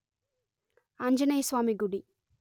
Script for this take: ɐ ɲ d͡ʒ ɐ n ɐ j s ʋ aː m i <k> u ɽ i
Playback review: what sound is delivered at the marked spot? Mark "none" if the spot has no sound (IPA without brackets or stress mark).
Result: ɡ